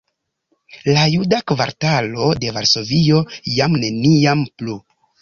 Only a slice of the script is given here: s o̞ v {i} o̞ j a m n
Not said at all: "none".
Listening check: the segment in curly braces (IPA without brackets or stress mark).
i